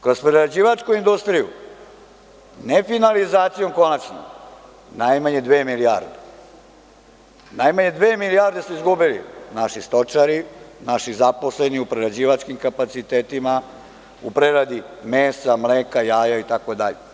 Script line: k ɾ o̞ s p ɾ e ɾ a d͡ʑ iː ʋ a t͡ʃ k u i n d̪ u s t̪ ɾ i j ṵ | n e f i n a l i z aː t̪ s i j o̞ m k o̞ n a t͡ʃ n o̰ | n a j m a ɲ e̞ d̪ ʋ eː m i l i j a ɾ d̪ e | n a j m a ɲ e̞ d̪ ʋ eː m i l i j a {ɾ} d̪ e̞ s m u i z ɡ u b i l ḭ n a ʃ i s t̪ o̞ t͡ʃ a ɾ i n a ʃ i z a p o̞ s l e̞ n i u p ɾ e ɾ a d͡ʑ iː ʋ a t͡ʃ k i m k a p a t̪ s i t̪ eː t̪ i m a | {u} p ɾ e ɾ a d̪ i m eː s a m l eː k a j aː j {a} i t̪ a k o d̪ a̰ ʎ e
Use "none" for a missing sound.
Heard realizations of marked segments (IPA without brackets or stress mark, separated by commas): ɾ, u, a